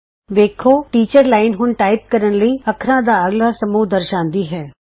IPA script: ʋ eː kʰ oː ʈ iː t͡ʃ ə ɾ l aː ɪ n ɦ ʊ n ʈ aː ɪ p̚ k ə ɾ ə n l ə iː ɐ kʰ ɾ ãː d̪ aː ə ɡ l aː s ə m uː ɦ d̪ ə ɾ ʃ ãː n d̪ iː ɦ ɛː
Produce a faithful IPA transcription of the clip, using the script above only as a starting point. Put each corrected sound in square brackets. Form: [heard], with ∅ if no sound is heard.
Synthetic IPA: ʋ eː kʰ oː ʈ iː t͡ʃ ə ɾ l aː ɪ n ɦ ʊ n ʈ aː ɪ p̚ k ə ɾ ə n l ə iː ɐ kʰ ɾ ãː d̪ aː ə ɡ l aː s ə m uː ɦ d̪ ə ɾ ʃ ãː n d̪ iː ɦ ɛː